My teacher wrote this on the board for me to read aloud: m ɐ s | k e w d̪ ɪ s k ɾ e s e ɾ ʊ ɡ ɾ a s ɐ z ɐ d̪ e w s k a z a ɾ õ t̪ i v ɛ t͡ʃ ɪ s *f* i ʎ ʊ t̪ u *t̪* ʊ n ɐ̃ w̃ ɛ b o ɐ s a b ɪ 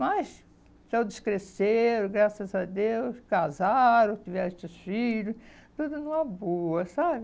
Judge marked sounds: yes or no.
yes, no

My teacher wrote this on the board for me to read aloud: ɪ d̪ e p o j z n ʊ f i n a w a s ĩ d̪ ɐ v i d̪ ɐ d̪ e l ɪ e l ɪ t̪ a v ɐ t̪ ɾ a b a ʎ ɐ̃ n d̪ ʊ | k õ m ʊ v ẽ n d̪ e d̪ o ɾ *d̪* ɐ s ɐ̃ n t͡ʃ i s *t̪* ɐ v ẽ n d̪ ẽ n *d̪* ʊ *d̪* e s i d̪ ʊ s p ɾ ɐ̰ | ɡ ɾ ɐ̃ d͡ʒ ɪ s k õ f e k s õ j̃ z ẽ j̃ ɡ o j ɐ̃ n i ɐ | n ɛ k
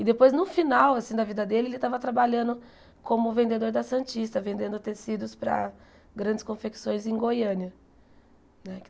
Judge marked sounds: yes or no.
yes, yes, yes, no

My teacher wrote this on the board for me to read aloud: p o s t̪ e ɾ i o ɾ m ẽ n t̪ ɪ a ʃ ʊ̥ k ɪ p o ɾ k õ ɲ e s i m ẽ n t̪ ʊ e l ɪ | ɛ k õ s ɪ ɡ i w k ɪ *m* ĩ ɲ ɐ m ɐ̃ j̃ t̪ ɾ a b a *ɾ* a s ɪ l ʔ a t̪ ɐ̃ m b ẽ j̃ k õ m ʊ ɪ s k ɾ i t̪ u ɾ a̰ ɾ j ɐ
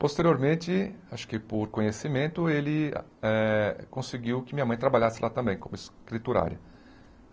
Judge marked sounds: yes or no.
yes, no

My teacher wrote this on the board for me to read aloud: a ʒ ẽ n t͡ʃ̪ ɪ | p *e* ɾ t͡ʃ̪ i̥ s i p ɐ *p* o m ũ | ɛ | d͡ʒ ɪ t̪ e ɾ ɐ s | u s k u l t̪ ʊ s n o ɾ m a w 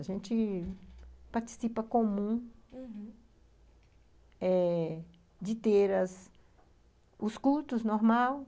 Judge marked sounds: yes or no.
no, no

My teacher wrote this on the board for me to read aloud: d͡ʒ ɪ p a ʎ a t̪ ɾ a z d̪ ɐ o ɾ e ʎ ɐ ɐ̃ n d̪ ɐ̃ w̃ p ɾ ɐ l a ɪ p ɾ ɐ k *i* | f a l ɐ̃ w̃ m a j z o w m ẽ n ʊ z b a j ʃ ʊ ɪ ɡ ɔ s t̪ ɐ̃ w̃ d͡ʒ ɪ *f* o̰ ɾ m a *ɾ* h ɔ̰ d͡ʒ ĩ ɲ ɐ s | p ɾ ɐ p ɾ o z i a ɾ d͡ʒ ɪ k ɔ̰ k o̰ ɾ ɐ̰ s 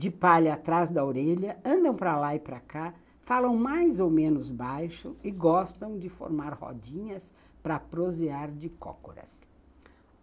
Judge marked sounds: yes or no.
no, yes, yes

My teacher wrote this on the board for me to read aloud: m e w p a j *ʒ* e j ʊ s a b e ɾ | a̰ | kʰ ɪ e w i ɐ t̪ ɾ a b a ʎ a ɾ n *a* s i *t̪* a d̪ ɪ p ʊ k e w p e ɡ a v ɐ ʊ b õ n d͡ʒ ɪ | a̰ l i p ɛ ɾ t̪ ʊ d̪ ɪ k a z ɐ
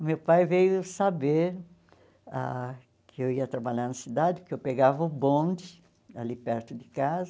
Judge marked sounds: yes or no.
no, no, no

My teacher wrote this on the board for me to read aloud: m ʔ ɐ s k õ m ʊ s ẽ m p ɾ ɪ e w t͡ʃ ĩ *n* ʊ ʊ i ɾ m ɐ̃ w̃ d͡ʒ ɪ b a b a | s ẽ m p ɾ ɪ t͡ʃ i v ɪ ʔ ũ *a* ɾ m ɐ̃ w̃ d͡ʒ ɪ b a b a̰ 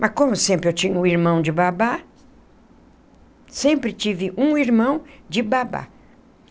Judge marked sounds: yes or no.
no, no

